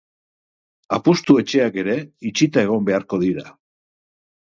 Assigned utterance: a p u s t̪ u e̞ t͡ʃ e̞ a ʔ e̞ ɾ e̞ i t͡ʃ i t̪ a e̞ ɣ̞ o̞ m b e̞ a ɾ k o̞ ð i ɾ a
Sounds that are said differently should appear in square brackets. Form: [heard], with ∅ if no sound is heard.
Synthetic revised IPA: a p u s t̪ u e̞ t͡ʃ e̞ a [k] e̞ ɾ e̞ i t͡ʃ i t̪ a e̞ ɣ̞ o̞ m b e̞ a ɾ k o̞ ð i ɾ a